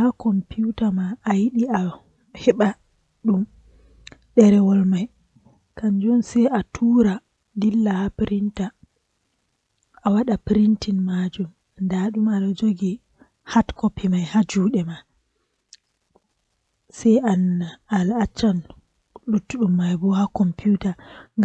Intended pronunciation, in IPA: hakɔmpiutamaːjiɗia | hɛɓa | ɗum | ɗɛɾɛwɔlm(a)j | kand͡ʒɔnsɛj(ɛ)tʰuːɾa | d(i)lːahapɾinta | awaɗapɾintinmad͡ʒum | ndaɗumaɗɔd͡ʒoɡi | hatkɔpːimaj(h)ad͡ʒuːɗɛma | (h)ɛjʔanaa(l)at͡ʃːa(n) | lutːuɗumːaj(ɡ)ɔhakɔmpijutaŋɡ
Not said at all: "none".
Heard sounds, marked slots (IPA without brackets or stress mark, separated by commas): a, a, i, h, s, l, n, b